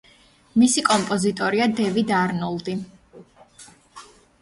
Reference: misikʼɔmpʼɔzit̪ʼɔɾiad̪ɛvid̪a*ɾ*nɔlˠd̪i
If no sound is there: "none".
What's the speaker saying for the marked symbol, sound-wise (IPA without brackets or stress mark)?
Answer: ɾ